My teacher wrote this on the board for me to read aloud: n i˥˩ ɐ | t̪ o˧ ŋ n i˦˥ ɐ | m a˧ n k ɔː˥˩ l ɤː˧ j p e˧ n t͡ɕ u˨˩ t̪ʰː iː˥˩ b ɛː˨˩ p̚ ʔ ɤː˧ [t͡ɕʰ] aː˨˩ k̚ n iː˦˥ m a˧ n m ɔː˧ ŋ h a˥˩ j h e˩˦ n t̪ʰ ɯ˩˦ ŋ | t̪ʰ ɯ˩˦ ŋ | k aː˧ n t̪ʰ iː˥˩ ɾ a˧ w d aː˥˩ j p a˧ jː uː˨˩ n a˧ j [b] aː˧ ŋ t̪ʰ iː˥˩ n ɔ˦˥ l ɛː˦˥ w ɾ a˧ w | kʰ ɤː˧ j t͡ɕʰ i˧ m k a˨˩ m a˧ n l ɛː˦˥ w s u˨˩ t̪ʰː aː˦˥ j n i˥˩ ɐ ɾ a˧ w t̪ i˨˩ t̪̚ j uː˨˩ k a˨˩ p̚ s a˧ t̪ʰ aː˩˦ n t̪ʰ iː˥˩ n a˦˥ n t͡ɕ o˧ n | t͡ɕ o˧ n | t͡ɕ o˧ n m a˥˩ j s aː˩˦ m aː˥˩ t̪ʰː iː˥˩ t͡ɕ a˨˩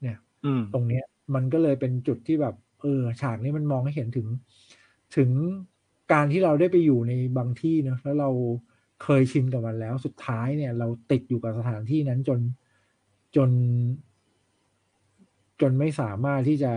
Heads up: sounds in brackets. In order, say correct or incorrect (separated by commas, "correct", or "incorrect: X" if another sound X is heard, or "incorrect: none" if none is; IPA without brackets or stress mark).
correct, correct